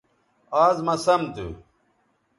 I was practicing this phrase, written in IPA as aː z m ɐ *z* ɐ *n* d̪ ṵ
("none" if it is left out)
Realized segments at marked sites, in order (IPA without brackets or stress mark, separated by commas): s, m